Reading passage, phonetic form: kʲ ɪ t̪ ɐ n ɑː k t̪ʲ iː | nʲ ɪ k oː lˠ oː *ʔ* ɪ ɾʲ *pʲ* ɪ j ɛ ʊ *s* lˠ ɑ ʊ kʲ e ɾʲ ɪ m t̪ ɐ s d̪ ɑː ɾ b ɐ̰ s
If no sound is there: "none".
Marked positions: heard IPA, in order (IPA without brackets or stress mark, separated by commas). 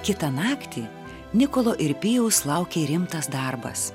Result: ʔ, pʲ, s